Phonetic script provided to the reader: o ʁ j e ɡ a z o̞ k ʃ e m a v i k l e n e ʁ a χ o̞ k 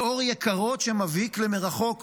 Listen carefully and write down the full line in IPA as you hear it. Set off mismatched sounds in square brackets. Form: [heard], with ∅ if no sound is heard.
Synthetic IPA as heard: o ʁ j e [k] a [ʁ] o̞ [t] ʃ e m a v i k l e [m] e ʁ a χ o̞ k